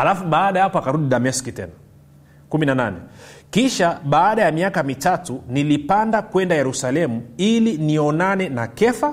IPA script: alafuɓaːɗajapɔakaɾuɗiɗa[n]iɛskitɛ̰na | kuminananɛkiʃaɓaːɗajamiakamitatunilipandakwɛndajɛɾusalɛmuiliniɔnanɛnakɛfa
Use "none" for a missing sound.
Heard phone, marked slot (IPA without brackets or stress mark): m